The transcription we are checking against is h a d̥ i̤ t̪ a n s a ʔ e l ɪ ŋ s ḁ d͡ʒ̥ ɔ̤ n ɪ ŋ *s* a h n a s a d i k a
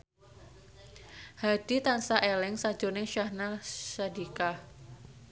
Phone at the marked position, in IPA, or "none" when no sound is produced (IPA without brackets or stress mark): ʃ